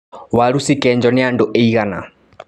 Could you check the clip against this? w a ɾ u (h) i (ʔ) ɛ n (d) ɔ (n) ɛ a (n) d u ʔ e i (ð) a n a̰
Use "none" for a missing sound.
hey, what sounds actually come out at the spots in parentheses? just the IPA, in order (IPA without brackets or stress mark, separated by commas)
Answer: s, k, d͡ʒ, n, n, ɣ